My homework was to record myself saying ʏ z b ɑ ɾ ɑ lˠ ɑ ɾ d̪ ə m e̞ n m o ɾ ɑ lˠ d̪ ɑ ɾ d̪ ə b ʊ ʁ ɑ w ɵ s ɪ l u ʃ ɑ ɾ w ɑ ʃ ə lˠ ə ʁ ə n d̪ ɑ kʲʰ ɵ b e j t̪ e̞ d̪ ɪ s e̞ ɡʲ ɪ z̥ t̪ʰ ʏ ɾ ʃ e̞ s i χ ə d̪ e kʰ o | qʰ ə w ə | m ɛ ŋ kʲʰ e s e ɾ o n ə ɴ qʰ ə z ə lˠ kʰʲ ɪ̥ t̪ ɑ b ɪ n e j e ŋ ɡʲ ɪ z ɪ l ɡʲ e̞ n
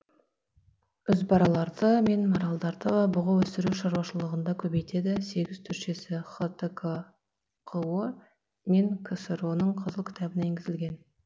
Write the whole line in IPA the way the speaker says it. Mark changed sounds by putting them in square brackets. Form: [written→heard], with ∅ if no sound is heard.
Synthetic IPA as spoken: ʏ z b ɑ ɾ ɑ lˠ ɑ ɾ d̪ ə m e̞ n m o ɾ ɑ lˠ d̪ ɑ ɾ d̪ ə b ʊ ʁ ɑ w ɵ s ɪ [l→ɾ] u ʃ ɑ ɾ w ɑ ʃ ə lˠ ə ʁ ə n d̪ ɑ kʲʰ ɵ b e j t̪ e̞ d̪ ɪ s e̞ ɡʲ ɪ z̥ t̪ʰ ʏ ɾ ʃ e̞ s [i→ɪ] χ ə [d̪→t̪] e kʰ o | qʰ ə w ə | m [ɛ→e] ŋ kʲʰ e s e ɾ o n ə ɴ qʰ ə z ə lˠ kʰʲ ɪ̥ t̪ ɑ b ɪ n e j e ŋ ɡʲ ɪ z ɪ l ɡʲ e̞ n